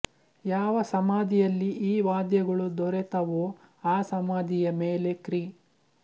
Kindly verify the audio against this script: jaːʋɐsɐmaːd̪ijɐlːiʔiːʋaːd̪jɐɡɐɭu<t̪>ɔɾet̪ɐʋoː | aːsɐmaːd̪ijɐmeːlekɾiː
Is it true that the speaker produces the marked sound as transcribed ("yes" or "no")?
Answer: no